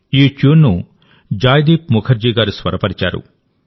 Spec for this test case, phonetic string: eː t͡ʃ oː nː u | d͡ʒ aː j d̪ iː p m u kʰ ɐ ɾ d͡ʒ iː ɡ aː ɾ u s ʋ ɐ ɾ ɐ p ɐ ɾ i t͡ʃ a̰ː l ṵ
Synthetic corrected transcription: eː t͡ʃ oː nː u | d͡ʒ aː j d̪ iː p m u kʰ ɐ ɾ d͡ʒ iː ɡ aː ɾ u s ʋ ɐ ɾ ɐ p ɐ ɾ i t͡ʃ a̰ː ɾ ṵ